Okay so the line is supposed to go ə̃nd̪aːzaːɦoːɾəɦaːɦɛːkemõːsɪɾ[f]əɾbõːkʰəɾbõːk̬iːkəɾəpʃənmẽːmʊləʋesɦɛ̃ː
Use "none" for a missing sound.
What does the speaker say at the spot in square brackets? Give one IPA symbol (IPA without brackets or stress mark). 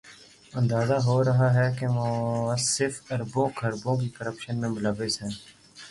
f